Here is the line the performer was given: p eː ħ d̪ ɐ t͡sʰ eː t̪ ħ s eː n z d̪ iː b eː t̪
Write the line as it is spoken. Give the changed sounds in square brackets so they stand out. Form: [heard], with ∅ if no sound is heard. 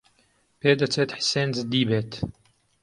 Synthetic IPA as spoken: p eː [∅] d̪ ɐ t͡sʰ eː t̪ ħ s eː n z d̪ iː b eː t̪